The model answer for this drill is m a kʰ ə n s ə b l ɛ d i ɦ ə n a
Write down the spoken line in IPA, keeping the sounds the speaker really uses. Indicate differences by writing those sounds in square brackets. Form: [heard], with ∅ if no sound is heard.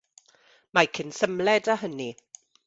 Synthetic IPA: m a kʰ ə n s ə [m] l ɛ d [a] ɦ ə n [i]